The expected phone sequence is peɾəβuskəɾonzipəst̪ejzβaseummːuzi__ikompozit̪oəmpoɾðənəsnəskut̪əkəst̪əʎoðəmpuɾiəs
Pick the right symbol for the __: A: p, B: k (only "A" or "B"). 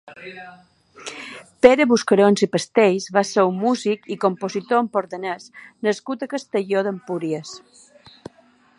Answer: B